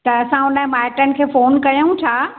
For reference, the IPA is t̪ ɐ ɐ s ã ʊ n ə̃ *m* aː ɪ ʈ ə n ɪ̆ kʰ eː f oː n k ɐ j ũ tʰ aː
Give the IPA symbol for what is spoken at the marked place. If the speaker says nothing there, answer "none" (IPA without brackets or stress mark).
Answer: m